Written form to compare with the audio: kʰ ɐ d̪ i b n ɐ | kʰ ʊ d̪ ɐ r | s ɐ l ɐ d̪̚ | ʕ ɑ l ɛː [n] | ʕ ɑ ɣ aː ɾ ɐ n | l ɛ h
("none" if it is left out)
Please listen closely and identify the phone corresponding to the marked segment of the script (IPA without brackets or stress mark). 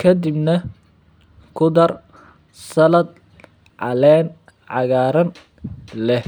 n